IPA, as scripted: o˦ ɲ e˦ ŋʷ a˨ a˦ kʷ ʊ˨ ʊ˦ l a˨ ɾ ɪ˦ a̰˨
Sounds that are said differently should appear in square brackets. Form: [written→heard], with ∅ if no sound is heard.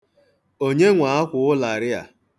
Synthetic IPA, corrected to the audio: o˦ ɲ e˦ ŋʷ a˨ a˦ kʷ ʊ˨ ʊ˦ l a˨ ɾ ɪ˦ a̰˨